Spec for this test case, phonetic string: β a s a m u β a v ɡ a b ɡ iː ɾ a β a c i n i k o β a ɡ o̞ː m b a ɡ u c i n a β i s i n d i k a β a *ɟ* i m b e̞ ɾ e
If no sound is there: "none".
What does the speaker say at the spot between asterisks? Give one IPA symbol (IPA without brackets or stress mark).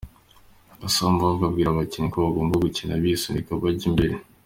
ɟ